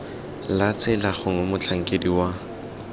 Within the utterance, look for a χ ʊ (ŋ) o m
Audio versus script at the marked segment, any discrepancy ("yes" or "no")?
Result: no